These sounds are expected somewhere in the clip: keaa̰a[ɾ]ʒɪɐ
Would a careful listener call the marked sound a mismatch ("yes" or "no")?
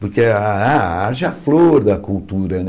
no